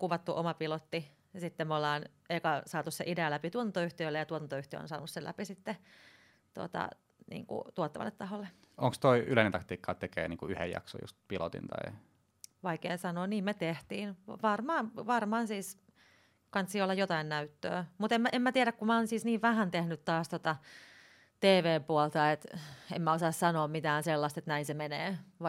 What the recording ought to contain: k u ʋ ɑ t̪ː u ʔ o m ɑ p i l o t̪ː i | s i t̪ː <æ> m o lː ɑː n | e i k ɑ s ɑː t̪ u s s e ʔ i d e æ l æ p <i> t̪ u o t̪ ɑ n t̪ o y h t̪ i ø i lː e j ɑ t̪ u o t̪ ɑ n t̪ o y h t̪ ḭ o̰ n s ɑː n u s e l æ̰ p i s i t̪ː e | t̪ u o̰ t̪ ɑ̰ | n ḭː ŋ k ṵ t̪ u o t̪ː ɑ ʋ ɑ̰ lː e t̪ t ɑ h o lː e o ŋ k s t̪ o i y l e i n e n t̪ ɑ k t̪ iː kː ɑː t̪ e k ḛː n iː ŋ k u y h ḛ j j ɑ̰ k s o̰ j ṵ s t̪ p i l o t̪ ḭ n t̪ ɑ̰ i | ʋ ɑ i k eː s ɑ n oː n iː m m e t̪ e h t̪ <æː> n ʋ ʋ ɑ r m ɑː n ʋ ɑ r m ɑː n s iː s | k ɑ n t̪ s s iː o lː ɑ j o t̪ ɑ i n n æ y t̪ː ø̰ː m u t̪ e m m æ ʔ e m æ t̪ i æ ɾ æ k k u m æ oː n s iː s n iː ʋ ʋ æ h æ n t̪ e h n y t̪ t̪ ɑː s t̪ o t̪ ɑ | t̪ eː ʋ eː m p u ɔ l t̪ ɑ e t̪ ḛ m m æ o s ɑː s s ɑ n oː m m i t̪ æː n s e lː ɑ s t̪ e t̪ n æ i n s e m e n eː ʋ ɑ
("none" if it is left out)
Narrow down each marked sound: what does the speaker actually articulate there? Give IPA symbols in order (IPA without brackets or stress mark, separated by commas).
e, i, iː